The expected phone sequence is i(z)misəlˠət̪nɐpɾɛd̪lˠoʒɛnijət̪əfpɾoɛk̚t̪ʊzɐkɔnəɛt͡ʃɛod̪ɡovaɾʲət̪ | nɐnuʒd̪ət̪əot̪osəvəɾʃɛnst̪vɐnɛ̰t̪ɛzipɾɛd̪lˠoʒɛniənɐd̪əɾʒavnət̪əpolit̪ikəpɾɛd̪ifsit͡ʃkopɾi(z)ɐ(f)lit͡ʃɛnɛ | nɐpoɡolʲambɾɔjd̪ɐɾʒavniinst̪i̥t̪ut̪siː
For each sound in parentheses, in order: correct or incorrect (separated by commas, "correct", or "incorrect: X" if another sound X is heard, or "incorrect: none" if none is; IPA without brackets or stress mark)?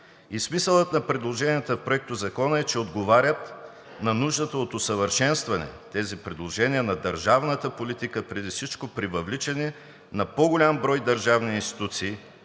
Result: incorrect: s, incorrect: v, incorrect: v